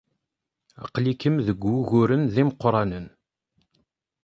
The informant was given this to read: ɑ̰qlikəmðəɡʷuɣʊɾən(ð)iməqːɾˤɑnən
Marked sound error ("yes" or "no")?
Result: no